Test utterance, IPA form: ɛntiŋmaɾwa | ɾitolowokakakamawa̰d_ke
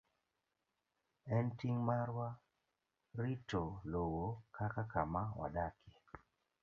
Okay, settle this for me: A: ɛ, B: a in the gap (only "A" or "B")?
B